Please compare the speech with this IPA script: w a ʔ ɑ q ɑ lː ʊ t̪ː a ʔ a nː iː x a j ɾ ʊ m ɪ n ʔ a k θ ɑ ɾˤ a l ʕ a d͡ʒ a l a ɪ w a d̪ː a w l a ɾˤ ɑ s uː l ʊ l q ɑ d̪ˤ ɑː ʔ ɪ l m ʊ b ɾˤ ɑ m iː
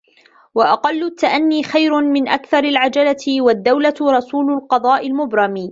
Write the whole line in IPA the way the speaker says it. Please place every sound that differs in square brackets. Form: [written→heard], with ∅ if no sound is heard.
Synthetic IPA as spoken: w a ʔ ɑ q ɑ lː ʊ t̪ː a ʔ a nː iː x a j ɾ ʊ m ɪ n ʔ a k θ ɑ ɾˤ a l ʕ a d͡ʒ a l a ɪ w a d̪ː a w l a ɾˤ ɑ s uː l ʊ l q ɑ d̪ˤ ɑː ʔ ɪ l m ʊ b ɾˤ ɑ m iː